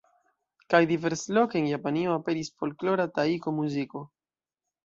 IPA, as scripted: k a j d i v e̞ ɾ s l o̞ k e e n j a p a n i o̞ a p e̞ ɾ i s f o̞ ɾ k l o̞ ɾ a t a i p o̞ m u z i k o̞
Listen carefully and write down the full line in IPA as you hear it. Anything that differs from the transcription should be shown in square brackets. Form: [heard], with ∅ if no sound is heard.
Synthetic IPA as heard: k a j d i v e̞ ɾ s l o̞ k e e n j a p a n i o̞ a p e̞ ɾ i s f o̞ [l] k l o̞ ɾ a t a i [k] o̞ m u z i k o̞